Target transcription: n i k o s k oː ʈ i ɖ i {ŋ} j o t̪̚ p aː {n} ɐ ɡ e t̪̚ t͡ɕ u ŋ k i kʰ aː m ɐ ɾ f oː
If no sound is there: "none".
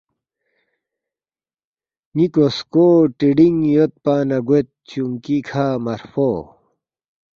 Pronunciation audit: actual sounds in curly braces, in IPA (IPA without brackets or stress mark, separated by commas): ŋ, n